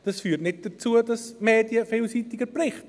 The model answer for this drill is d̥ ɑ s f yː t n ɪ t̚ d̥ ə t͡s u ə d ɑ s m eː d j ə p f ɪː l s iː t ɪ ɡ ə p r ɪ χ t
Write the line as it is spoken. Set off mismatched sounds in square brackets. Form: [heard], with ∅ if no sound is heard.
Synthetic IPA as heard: d̥ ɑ s f yː t n ɪ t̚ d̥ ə t͡s u ə d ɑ s m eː d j ə [∅] f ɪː l s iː t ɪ ɡ ə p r ɪ χ t